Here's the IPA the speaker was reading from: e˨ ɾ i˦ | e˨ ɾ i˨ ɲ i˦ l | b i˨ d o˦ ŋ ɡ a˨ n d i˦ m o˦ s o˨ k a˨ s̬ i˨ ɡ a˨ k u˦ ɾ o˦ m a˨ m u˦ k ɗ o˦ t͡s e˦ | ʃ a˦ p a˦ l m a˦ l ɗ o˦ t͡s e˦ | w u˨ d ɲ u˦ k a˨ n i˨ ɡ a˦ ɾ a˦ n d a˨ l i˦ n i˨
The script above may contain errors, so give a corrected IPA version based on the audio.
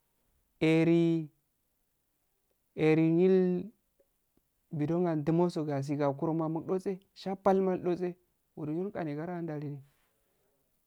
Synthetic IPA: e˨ ɾ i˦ | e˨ ɾ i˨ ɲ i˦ l | b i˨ d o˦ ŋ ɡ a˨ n d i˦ m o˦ s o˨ ɡ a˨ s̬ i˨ ɡ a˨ k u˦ ɾ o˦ m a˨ m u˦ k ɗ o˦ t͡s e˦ | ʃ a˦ p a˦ l m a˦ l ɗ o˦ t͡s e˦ | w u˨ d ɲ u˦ k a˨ n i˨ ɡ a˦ ɾ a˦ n d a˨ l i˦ n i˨